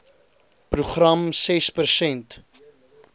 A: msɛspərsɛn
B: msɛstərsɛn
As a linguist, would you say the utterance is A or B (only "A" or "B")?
A